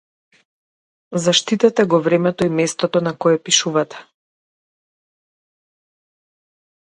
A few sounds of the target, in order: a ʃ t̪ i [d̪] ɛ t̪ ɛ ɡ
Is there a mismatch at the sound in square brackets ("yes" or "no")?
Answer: yes